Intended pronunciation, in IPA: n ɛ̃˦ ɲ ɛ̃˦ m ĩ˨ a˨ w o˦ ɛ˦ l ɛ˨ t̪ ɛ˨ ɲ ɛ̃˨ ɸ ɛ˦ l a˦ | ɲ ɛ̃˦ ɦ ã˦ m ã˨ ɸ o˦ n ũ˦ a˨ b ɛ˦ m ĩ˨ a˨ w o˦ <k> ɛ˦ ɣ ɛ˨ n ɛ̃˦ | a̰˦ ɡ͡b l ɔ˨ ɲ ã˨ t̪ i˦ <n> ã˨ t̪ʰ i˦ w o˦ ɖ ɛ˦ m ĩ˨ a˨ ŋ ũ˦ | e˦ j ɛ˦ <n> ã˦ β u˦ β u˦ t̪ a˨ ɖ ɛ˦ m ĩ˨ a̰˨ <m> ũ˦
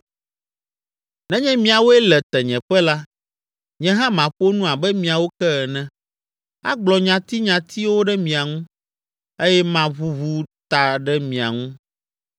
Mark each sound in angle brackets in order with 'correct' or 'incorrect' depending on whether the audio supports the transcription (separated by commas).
correct, incorrect, incorrect, incorrect